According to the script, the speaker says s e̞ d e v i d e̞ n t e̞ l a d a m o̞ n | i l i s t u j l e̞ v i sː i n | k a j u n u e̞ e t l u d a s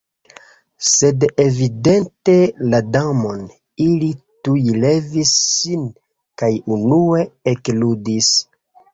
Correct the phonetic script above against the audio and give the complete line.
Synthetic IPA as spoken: s e̞ d e v i d e̞ n t e̞ l a d a m o̞ n | i l i t u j l e̞ v i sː i n | k a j u n u e̞ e k l u d i s